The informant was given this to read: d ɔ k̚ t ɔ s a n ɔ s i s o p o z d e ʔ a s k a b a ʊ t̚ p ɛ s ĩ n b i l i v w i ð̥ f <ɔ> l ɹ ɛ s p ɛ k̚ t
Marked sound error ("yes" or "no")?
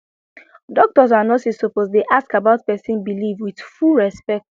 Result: yes